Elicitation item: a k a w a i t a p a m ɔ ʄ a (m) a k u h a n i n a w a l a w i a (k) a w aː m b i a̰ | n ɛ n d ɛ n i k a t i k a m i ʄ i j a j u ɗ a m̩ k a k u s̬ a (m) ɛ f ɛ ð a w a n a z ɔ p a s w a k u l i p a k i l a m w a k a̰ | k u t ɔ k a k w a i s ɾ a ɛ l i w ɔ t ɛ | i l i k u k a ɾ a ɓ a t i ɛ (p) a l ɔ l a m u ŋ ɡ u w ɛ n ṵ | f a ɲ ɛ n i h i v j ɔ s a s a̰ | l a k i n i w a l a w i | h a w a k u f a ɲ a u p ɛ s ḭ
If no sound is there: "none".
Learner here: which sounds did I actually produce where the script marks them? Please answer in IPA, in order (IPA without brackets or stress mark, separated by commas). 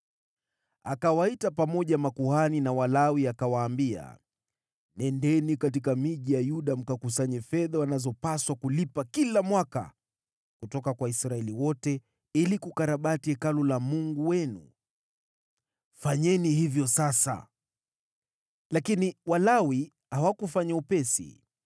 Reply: m, k, ɲ, k